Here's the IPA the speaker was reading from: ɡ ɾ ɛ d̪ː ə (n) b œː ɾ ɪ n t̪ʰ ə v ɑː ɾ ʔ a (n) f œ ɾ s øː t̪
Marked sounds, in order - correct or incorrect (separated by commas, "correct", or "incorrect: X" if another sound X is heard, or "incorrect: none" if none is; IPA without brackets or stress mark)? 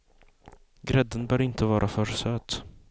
correct, incorrect: none